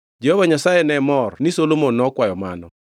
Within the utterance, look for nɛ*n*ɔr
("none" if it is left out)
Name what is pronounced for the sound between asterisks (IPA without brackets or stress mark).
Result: m